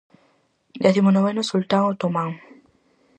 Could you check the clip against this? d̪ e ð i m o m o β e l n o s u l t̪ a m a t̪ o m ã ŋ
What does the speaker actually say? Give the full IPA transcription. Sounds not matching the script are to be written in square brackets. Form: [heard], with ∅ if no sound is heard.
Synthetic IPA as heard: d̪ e [θ] i m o [n] o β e [∅] n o s u l t̪ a [ŋ] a t̪ o m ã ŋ